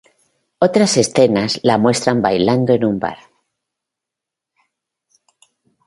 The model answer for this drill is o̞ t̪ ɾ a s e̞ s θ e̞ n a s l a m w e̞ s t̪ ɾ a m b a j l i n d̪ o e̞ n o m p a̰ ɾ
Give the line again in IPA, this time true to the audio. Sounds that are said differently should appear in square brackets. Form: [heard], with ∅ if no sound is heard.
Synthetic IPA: o̞ t̪ ɾ a s e̞ s θ e̞ n a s l a m w e̞ s t̪ ɾ a m b a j l [a] n d̪ o e̞ n [u] m [b] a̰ ɾ